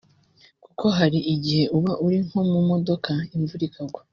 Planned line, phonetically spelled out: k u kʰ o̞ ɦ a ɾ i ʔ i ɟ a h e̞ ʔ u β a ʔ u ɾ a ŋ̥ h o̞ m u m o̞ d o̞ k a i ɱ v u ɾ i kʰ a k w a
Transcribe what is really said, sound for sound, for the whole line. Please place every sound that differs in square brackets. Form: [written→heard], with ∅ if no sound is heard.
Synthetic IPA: k u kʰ o̞ ɦ a ɾ i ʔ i ɟ [a→i] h e̞ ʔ u β a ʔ u ɾ [a→i] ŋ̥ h o̞ m u m o̞ d o̞ k a i ɱ v u ɾ i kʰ a [k→ɡ] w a